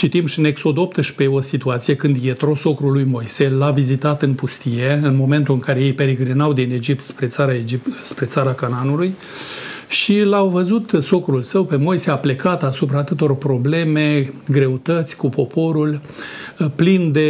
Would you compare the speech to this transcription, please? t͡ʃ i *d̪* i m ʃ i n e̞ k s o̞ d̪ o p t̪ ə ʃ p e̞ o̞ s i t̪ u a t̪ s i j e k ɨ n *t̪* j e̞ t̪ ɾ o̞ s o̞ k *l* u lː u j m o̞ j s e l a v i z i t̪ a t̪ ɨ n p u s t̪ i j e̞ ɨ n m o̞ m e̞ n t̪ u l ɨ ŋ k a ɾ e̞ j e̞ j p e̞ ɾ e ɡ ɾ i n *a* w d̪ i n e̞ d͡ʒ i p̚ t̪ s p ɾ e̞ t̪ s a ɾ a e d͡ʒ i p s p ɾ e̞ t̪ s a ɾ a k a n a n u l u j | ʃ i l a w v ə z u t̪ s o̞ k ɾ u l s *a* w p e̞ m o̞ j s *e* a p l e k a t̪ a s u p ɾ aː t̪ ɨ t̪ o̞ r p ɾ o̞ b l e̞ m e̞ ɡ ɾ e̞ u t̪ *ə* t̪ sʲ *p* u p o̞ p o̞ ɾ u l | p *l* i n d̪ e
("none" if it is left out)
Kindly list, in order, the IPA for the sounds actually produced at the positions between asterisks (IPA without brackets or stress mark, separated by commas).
t̪, d̪, ɾ, a, ə, e, ə, k, l